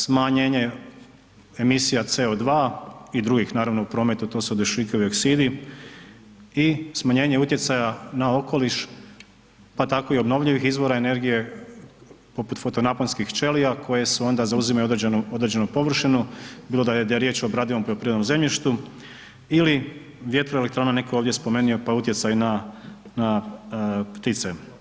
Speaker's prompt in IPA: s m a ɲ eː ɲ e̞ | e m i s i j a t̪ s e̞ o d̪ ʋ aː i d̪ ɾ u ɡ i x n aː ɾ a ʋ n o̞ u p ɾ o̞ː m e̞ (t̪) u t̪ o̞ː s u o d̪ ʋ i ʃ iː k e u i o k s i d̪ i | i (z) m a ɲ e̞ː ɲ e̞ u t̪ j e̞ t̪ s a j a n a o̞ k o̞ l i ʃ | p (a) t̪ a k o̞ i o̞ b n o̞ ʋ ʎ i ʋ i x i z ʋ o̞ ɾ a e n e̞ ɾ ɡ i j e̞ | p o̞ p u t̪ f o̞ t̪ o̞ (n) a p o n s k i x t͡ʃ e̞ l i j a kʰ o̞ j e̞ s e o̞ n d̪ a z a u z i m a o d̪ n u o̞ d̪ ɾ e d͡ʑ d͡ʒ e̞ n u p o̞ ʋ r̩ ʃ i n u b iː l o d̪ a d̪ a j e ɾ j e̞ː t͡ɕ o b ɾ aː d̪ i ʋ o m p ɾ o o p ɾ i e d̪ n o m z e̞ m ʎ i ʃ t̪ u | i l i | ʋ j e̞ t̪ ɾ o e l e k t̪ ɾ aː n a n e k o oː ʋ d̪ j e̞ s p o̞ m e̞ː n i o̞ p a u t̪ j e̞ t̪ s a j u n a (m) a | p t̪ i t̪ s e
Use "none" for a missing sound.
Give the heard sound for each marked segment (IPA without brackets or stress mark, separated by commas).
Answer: t̪, s, a, n, n